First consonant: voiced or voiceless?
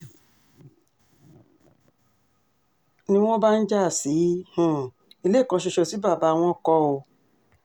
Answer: voiced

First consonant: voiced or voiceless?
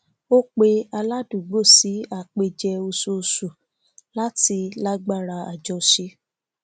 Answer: voiceless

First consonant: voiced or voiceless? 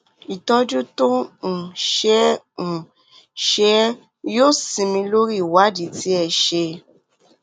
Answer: voiceless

